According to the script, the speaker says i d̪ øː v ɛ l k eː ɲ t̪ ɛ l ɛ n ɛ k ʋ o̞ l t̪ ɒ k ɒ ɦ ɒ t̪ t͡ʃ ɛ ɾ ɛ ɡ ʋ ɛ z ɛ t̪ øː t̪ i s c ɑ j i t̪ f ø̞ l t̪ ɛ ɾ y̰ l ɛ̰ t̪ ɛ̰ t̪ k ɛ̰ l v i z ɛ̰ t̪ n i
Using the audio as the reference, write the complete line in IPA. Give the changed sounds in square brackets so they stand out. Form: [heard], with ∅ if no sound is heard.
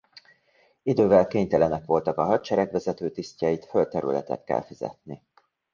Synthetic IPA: i d̪ øː v ɛ l k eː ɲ t̪ ɛ l ɛ n ɛ k ʋ o̞ l t̪ ɒ k ɒ ɦ ɒ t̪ t͡ʃ ɛ ɾ ɛ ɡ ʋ ɛ z ɛ t̪ øː t̪ i s c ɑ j i t̪ f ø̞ l t̪ ɛ ɾ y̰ l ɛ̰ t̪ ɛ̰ t̪ k ɛ̰ l [f] i z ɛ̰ t̪ n i